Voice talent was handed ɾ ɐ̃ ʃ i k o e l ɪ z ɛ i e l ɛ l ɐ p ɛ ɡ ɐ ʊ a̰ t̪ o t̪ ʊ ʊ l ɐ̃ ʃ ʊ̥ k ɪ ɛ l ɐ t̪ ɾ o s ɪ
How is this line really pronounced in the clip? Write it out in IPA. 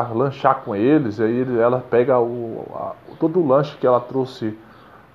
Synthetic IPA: l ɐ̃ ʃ a k õ e l ɪ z a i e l ɛ l ɐ p ɛ ɡ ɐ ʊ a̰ t̪ o d̪ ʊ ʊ l ɐ̃ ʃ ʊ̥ k ɪ ɛ l ɐ t̪ ɾ o s ɪ